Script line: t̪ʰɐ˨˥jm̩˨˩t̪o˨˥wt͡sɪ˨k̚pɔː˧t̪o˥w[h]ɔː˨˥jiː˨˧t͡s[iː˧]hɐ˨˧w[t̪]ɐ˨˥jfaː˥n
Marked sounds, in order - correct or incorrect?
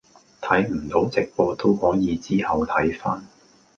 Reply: correct, incorrect, incorrect

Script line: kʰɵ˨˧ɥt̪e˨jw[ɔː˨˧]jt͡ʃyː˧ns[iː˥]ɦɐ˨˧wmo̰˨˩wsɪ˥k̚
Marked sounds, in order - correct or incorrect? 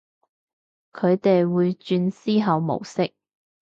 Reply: incorrect, correct

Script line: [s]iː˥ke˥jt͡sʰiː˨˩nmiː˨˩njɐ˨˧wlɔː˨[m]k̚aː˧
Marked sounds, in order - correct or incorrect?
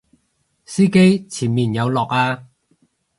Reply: correct, incorrect

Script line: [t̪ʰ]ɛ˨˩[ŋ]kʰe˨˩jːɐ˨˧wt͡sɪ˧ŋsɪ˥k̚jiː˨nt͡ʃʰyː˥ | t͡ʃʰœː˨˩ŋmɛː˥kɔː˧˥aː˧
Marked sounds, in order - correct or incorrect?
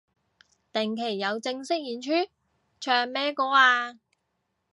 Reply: incorrect, correct

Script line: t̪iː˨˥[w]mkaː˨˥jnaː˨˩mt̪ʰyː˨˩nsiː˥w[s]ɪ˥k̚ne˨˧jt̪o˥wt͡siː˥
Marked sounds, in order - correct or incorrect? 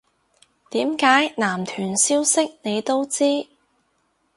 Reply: incorrect, correct

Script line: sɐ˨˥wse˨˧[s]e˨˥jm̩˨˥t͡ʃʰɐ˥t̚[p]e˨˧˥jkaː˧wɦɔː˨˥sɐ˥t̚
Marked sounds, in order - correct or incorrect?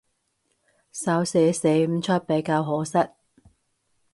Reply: correct, correct

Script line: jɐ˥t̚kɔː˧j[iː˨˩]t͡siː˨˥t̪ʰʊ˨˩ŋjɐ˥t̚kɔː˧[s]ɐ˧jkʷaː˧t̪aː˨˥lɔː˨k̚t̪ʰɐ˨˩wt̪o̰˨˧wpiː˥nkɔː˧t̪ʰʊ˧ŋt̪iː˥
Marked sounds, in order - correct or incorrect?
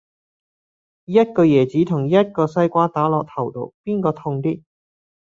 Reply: incorrect, correct

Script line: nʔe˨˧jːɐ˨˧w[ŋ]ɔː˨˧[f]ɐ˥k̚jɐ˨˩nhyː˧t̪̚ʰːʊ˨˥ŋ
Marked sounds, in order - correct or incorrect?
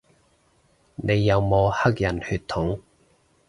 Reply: incorrect, incorrect

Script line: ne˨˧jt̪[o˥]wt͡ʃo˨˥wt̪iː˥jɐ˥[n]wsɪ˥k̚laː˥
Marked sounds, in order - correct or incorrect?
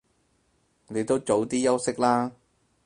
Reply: correct, incorrect

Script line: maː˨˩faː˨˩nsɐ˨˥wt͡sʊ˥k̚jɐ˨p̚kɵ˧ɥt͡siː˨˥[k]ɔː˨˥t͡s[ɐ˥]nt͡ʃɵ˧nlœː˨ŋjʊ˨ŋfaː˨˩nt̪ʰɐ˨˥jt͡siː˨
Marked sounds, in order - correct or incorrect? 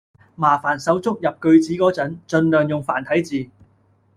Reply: correct, incorrect

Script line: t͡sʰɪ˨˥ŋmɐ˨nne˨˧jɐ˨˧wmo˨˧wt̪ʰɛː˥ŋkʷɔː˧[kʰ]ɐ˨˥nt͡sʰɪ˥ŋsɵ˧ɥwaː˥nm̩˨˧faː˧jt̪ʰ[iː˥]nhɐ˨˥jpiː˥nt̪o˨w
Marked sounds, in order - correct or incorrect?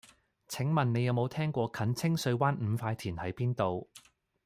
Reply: correct, incorrect

